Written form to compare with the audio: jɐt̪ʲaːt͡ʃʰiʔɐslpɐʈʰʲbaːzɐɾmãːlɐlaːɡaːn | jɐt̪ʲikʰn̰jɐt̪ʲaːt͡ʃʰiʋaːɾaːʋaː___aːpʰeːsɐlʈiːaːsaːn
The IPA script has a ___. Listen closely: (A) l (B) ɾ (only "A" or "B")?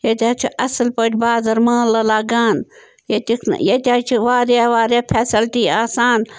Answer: B